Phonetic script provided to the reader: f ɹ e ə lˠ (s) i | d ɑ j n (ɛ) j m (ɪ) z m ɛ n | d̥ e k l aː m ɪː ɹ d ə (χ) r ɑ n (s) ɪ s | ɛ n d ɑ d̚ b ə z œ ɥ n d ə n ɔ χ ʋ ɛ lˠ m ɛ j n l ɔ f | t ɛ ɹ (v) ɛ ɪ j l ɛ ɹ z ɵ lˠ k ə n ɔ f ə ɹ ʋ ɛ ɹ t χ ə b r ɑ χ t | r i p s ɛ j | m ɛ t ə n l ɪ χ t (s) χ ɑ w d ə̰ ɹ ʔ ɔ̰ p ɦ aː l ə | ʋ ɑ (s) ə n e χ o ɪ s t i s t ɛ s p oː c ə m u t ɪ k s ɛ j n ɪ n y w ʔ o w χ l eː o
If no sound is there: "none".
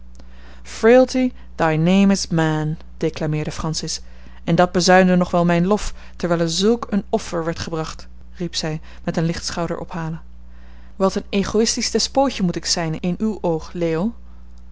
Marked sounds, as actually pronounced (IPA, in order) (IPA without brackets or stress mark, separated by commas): t, e, ɪ, f, s, ʋ, s, t